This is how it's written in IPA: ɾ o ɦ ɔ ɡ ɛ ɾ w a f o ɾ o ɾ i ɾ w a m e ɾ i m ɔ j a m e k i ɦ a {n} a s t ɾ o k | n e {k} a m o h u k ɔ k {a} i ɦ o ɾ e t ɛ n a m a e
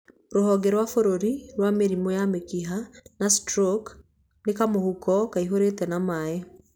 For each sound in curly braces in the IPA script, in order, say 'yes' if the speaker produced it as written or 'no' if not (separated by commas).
yes, yes, yes